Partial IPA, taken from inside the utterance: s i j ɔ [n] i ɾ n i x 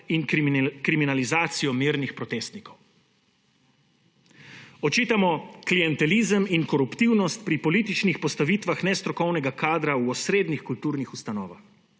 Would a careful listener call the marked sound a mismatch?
yes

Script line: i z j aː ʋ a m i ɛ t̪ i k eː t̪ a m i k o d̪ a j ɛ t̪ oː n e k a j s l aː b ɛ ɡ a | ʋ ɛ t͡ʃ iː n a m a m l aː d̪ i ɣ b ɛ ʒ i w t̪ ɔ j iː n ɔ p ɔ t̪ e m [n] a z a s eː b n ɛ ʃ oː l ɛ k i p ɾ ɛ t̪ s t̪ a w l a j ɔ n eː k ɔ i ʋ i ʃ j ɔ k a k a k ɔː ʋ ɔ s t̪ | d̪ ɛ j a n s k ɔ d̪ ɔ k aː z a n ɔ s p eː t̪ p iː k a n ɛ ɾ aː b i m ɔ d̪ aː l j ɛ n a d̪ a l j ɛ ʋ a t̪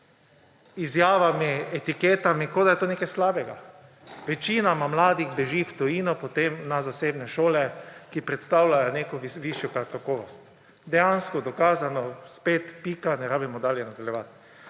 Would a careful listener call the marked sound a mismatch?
no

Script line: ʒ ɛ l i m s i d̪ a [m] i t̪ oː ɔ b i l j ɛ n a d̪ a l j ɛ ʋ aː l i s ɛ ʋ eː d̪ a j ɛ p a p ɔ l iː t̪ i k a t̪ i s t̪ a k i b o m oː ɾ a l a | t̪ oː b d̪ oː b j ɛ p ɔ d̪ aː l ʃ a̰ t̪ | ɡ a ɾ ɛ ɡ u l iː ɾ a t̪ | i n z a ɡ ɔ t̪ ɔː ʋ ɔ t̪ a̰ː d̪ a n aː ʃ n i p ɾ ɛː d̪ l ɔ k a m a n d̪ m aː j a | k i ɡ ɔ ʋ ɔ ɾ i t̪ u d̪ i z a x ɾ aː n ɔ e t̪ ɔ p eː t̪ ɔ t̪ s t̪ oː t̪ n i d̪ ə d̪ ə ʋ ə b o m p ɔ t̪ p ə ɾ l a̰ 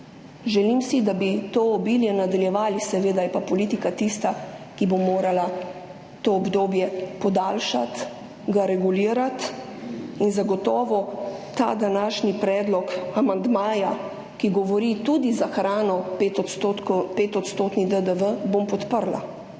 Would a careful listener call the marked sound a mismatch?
yes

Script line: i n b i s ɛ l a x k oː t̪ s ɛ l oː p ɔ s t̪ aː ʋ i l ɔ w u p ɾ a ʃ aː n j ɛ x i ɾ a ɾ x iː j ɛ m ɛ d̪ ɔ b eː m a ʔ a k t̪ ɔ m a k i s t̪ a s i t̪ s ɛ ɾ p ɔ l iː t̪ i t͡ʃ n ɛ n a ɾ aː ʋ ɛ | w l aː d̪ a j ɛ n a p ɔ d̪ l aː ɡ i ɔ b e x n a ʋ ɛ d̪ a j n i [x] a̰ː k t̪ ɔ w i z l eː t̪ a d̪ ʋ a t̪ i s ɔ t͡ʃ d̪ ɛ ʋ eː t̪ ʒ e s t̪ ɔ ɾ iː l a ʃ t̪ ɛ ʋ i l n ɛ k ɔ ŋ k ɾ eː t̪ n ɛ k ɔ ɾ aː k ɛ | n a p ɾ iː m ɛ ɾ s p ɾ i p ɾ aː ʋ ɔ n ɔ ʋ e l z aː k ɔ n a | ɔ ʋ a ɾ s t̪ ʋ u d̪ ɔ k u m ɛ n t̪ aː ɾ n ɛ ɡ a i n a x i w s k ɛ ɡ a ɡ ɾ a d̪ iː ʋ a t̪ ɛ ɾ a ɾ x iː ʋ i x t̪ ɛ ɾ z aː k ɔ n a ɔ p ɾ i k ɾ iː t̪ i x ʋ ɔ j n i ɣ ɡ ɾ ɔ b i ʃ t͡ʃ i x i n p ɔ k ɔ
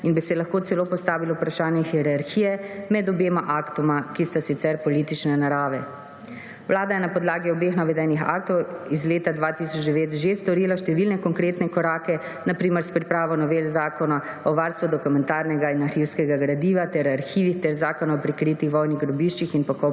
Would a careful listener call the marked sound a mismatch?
no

